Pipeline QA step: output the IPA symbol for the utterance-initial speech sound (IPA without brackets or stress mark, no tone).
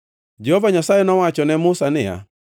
d͡ʒ